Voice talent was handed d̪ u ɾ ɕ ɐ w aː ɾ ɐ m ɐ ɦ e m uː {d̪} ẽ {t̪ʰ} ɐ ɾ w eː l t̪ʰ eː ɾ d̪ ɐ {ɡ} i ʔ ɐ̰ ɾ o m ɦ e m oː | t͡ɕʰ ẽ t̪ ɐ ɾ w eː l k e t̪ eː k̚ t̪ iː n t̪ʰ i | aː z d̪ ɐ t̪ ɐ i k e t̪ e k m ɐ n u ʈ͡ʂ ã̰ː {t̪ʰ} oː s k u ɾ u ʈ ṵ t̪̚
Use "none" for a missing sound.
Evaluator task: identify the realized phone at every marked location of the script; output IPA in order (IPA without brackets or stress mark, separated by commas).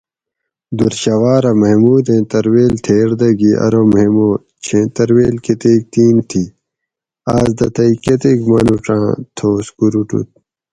d̪, t̪, ɡ, t̪ʰ